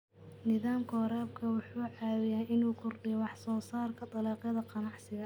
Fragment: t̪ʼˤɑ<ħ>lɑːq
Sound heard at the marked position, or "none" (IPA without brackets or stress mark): none